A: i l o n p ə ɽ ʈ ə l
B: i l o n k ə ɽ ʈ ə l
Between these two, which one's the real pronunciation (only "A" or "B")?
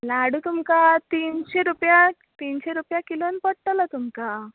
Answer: A